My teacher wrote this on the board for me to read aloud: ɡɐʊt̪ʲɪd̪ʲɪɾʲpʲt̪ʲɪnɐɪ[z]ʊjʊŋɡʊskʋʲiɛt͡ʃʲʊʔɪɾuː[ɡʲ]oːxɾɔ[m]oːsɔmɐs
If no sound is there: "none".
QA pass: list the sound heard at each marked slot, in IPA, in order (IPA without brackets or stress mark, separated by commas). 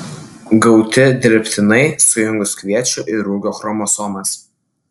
s, ɡʲ, m